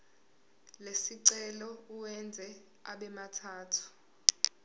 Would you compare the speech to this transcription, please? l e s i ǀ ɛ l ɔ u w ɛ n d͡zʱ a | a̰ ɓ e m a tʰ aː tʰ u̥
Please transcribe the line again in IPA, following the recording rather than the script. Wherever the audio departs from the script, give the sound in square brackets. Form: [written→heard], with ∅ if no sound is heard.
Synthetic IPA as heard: l e s i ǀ ɛ l ɔ u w ɛ n d͡zʱ [a→ɛ] | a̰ ɓ [e→ɛ] m a tʰ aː tʰ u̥

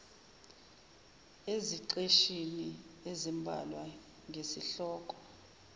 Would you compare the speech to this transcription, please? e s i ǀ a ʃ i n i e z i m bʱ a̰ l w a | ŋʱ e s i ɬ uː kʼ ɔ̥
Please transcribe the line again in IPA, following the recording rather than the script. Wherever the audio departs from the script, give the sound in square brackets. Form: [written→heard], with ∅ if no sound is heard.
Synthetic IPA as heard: e [s→z] i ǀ [a→e] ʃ i n i e z i m bʱ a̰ l w a | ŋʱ e s i ɬ [uː→ɔː] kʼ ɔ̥

